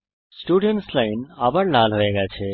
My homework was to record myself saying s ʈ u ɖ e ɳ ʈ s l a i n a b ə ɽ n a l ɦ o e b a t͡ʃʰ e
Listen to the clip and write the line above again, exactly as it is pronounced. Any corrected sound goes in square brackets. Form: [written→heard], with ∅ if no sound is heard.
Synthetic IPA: s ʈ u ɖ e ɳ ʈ s l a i n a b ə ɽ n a l ɦ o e [b→ɡ] a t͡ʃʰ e